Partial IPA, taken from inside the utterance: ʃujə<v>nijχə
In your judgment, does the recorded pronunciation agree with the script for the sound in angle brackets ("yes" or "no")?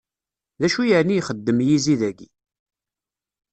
no